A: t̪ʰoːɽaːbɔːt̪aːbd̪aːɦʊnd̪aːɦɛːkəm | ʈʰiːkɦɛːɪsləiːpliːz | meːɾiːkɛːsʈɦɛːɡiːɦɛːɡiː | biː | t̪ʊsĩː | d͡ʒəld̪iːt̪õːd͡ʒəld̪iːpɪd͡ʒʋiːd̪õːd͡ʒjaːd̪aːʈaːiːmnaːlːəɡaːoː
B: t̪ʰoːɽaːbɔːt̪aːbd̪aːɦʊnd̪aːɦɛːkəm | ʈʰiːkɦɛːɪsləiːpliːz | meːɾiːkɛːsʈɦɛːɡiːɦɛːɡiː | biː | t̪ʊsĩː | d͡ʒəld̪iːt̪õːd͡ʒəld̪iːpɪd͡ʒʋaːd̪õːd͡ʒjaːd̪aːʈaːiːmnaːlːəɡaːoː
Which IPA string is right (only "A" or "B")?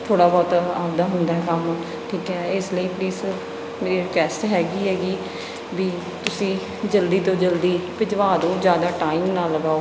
B